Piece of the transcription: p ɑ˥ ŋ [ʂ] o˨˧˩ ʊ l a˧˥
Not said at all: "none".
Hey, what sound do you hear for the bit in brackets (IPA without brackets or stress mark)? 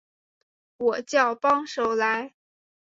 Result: ʂ